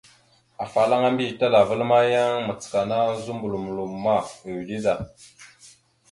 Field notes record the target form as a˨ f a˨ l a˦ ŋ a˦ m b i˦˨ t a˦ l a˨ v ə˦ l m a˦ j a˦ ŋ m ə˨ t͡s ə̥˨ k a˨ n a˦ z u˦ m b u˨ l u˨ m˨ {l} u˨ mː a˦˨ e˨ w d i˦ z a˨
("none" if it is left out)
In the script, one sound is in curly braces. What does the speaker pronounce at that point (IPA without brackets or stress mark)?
l